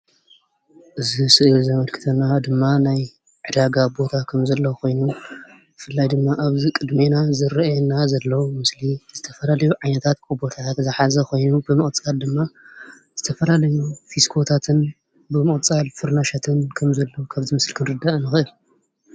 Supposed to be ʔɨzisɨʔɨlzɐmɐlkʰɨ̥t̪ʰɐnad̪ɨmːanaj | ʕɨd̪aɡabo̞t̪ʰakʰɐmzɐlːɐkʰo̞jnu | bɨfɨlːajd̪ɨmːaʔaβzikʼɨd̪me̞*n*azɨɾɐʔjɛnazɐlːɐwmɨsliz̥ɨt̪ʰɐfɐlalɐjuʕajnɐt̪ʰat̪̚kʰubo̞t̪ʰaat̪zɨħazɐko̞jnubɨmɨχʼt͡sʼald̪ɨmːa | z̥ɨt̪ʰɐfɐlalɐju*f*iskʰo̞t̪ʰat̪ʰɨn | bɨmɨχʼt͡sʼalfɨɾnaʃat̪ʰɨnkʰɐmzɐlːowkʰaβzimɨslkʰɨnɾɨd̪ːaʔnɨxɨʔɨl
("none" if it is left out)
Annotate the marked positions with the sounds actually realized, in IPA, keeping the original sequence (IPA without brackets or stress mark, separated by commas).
n, f